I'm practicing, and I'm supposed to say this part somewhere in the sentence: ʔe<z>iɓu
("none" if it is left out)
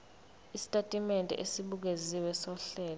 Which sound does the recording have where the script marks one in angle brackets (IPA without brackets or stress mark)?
s